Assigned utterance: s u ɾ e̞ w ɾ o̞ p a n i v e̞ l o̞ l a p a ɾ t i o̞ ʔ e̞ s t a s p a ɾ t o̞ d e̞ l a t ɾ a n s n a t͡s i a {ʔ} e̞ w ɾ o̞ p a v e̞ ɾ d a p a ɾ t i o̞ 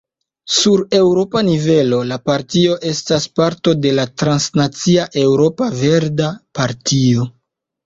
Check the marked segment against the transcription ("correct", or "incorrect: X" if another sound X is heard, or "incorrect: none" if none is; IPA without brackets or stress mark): correct